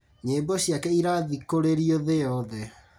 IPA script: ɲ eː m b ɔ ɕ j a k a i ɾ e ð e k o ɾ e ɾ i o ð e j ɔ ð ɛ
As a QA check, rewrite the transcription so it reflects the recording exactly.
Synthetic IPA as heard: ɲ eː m b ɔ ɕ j a k ɛ i ɾ a ð i k o ɾ e ɾ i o ð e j ɔ ð ɛ